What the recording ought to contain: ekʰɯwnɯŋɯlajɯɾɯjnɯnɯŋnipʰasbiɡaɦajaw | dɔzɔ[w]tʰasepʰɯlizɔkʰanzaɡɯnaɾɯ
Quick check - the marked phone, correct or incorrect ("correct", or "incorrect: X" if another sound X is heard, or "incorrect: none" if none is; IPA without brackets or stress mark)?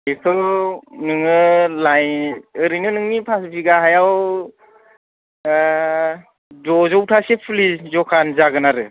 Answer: correct